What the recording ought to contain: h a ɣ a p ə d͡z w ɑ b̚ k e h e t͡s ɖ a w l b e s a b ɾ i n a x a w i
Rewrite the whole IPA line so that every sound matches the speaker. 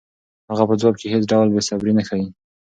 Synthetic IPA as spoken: h a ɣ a p ə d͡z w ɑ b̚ k e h e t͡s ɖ a w l b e s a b ɾ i n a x a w i